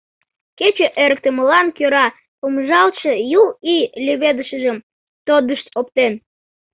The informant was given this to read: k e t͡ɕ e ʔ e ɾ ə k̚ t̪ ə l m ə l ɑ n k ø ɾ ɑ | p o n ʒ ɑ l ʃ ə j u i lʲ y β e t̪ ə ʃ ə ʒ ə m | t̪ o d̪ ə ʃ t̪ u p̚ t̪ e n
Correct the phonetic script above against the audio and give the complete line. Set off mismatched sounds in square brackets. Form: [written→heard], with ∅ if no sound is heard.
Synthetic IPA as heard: k e t͡ɕ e ʔ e ɾ ə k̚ t̪ ə [l→∅] m ə l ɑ n k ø ɾ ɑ | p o [n→m] ʒ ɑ l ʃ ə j u i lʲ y β e [t̪→d̪] ə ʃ ə ʒ ə m | t̪ o d̪ ə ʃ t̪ [u→o] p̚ t̪ e n

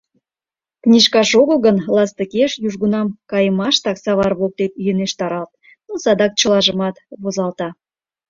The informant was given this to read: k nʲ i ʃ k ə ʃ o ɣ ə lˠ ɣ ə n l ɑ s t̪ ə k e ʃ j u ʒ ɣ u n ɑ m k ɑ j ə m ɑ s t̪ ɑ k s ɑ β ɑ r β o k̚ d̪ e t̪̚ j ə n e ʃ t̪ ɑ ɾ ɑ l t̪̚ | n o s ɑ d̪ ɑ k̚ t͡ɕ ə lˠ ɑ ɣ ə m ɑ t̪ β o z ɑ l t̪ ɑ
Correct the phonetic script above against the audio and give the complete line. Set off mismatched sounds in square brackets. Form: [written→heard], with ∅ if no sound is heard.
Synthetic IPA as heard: k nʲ i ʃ k [ə→ɑ] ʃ o ɣ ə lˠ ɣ ə n l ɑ s t̪ ə k e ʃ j u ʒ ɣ u n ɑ m k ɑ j ə m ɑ [s→ʃ] t̪ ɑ k s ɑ β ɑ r β o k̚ [d̪→t̪] e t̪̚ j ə n e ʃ t̪ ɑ ɾ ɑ l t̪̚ | n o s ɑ d̪ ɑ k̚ t͡ɕ ə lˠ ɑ [ɣ→ʒ] ə m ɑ t̪ β o z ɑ l t̪ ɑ

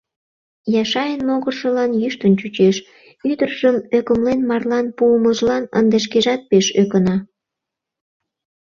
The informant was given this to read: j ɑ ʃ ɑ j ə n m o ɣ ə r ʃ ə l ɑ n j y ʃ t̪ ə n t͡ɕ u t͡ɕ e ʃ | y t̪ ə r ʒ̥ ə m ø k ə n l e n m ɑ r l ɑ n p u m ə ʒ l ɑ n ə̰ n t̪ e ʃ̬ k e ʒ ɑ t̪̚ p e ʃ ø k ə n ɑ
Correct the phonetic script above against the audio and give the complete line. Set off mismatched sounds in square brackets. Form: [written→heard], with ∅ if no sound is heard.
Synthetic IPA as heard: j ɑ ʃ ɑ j ə n m o ɣ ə r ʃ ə l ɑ n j y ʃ t̪ ə n t͡ɕ u t͡ɕ e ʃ | y [t̪→d̪] ə r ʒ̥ ə m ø k ə [n→m] l e n m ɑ r l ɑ n p u m ə ʒ l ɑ n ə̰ n [t̪→d̪] e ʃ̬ k e ʒ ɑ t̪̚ p e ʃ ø k ə n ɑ

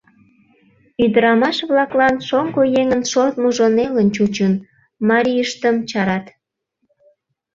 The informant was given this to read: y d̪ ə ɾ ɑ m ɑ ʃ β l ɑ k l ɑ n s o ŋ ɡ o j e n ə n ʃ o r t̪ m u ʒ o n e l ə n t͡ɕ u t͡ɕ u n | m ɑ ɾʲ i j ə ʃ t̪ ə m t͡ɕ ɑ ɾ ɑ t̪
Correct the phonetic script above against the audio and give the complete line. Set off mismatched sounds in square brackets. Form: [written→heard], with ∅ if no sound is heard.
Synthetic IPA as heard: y d̪ ə ɾ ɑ m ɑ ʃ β l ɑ k l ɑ n [s→ʃ] o ŋ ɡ o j e [n→ŋ] ə n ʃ o r t̪ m u ʒ o n e l ə n t͡ɕ u t͡ɕ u n | m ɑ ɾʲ i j ə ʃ t̪ ə m t͡ɕ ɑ ɾ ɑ t̪

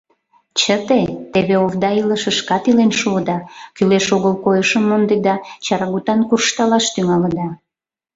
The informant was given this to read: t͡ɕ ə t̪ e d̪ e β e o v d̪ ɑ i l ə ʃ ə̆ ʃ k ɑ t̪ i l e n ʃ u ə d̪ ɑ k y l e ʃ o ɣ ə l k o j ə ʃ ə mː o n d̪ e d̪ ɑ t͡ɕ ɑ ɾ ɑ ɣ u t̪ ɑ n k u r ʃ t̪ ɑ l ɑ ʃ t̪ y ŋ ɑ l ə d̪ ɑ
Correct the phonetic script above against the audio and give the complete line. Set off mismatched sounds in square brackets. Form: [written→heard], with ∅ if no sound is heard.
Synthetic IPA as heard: t͡ɕ ə t̪ e [d̪→t̪] e β e o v d̪ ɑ i l ə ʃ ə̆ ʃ k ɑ t̪ i l e n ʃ u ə d̪ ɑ k y l e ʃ o ɣ ə l k o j ə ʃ ə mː o n d̪ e d̪ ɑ t͡ɕ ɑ ɾ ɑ ɣ u t̪ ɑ n k u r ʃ t̪ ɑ l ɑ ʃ t̪ y ŋ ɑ l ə d̪ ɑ

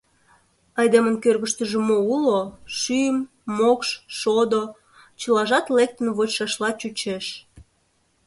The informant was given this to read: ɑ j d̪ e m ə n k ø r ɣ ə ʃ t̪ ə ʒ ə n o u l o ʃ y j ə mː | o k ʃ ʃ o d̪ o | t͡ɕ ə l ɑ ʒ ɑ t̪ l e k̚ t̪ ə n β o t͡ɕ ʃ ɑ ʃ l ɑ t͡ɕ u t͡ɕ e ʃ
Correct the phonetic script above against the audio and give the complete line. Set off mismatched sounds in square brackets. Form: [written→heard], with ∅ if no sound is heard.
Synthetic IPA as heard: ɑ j d̪ e m ə n k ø r ɣ ə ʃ t̪ ə ʒ ə [n→m] o u l o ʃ y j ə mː | o k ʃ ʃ o d̪ o | t͡ɕ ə l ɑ ʒ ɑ t̪ l e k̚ t̪ ə n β o t͡ɕ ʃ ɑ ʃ l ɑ t͡ɕ u t͡ɕ e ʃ

